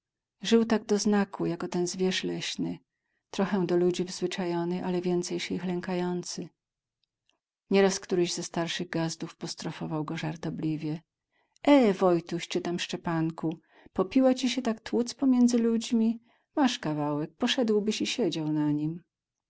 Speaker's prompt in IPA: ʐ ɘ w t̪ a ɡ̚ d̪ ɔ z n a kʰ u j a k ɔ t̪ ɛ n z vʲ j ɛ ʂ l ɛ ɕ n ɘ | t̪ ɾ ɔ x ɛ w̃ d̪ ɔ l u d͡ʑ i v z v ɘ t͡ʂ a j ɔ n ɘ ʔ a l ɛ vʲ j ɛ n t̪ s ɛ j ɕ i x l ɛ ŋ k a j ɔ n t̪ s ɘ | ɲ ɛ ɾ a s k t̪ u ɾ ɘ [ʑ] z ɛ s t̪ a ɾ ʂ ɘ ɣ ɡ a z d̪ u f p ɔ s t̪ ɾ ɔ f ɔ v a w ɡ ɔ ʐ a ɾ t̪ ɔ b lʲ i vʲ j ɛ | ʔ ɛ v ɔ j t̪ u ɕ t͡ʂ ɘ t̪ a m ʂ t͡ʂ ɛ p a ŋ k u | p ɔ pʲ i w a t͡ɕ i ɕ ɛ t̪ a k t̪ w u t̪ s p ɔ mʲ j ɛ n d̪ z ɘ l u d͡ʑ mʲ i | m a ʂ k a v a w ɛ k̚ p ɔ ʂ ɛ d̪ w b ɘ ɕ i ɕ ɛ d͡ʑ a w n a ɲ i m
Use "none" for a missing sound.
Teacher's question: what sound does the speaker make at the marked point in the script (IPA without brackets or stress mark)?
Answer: ʑ